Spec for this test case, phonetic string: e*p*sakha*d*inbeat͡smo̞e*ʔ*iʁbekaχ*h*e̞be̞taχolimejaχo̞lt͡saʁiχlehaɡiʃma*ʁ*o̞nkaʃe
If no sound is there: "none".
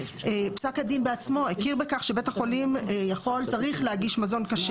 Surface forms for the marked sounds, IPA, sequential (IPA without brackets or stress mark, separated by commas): p, d, k, ʃ, z